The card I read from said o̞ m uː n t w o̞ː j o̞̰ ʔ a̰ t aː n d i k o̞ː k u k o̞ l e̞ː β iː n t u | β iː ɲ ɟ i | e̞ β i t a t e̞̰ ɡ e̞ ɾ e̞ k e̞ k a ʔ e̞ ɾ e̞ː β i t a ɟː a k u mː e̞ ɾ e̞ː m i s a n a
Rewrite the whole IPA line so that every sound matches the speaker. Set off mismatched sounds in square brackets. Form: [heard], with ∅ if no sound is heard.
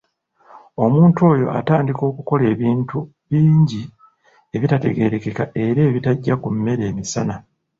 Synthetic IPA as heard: o̞ m uː n t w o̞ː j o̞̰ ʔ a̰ t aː n d i k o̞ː k u k o̞ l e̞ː β iː n t u | β iː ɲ ɟ i | e̞ β i t a t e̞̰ ɡ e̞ ɾ e̞ k e̞ k a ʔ e̞ ɾ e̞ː β i t a ɟː a k u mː e̞ ɾ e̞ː m i s a n a